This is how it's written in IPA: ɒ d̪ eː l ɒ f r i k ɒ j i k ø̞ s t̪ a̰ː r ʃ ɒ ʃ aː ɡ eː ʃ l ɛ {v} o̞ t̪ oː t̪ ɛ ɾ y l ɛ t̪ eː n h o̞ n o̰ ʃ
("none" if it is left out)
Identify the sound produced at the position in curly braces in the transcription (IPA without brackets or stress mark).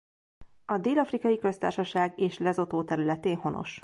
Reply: z